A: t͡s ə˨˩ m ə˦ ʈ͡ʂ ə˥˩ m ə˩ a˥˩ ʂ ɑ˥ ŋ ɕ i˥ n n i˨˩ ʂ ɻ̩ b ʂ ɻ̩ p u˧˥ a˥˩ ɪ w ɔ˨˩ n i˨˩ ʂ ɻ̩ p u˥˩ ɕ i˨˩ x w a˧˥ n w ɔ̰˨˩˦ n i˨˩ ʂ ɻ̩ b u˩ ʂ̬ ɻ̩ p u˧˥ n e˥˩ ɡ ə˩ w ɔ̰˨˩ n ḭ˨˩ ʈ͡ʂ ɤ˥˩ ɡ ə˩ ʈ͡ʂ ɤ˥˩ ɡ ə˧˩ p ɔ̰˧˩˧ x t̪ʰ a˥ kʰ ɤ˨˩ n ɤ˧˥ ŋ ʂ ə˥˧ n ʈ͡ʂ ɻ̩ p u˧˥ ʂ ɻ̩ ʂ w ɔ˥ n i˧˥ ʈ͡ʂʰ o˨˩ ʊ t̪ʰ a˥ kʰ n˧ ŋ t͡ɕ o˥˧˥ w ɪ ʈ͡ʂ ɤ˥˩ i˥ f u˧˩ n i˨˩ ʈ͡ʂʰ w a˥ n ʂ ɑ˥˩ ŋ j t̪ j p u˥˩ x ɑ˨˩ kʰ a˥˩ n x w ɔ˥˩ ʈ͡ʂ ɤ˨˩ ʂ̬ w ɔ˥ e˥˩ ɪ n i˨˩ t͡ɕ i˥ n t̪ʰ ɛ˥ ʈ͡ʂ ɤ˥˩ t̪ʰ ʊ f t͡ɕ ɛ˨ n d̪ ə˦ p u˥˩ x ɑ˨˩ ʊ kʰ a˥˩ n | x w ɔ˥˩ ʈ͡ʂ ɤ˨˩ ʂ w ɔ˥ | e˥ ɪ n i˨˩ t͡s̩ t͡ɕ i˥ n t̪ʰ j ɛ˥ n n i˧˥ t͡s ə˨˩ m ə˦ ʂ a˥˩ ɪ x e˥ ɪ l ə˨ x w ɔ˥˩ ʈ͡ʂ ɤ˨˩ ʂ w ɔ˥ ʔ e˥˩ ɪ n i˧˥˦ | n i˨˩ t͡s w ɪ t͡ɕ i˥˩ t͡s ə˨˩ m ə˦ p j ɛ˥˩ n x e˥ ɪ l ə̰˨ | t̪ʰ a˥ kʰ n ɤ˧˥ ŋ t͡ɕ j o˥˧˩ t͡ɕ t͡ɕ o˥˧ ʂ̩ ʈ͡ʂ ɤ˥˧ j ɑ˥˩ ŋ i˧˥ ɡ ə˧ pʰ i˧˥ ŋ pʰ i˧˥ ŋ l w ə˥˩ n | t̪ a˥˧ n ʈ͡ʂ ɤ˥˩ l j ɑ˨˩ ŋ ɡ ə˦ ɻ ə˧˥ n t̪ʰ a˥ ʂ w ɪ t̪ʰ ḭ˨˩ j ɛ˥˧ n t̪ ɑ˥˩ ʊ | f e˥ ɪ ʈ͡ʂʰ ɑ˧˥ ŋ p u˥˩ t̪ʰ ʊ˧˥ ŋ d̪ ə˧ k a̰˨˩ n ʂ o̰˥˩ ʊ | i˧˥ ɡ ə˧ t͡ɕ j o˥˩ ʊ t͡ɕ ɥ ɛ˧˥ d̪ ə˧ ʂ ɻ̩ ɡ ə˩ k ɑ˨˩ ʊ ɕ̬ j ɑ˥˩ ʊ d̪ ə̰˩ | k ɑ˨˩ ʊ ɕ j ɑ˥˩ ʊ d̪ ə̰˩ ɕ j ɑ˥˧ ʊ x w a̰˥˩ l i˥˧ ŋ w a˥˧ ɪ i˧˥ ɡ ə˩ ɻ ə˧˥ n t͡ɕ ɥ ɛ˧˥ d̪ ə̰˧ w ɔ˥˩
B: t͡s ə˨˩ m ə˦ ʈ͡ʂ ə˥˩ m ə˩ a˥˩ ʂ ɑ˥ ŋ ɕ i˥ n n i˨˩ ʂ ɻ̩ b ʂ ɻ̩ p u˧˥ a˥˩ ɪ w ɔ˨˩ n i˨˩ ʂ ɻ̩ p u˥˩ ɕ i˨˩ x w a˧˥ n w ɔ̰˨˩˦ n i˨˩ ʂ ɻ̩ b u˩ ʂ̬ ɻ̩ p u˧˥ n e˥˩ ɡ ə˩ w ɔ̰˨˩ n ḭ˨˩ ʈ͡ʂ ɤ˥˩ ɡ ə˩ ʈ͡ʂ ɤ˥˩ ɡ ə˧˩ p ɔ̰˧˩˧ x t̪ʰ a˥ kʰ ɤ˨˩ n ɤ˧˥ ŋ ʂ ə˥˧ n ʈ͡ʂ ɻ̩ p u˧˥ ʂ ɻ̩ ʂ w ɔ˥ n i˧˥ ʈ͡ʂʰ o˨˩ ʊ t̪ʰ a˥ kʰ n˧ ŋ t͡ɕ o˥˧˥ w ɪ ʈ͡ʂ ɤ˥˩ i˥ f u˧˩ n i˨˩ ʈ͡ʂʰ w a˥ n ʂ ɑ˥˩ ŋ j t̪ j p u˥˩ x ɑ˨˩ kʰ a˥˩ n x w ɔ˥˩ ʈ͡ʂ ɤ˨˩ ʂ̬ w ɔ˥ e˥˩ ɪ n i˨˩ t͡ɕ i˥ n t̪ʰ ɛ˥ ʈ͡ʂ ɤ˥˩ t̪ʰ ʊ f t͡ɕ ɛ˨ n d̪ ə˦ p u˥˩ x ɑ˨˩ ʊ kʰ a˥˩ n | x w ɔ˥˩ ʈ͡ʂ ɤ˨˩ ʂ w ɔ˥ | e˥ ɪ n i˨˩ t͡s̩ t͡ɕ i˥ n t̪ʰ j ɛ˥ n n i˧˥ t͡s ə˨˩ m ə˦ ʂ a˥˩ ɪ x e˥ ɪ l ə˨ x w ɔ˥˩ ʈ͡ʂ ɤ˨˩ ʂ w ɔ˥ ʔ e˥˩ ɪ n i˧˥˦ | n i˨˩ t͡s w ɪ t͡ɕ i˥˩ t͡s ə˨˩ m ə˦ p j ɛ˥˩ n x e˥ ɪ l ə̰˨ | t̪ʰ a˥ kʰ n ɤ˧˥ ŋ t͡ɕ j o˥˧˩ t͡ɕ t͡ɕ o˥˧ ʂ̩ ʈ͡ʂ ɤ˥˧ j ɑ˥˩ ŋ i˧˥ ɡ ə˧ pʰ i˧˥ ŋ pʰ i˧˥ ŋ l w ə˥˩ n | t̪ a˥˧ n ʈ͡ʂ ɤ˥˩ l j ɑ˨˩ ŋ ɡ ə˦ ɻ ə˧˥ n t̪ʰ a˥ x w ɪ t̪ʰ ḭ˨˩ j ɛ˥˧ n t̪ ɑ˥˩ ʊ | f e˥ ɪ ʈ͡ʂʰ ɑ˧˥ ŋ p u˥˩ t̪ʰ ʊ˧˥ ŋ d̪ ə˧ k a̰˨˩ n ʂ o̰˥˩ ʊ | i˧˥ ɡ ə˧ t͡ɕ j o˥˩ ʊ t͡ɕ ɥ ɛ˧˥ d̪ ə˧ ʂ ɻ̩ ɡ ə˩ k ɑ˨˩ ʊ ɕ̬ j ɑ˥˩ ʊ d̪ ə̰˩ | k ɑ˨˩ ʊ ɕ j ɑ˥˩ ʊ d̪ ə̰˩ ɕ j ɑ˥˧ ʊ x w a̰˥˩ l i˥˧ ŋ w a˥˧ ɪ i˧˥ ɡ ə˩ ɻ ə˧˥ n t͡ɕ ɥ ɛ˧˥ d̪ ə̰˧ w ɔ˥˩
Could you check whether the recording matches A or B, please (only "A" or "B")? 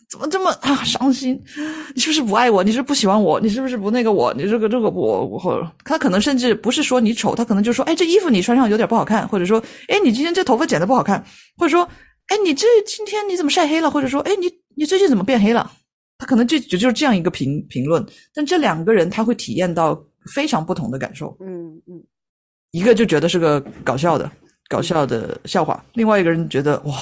B